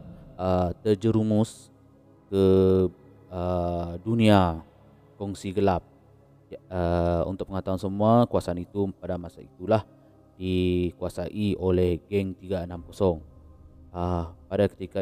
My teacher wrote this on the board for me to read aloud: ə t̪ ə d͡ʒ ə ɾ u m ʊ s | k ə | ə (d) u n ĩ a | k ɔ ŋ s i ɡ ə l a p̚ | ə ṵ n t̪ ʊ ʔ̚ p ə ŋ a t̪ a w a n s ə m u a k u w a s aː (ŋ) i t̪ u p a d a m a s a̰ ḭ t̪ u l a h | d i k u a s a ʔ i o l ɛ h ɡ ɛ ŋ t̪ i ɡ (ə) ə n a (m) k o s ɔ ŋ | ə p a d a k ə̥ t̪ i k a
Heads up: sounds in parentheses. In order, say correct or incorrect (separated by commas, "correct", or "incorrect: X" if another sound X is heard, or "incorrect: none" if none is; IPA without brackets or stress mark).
correct, incorrect: n, incorrect: a, correct